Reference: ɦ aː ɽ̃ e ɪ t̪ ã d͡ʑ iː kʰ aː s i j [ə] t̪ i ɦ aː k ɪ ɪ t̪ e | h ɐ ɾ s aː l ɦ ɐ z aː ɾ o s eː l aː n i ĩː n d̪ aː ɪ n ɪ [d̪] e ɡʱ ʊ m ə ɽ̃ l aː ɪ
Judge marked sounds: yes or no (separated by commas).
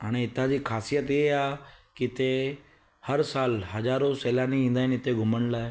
yes, no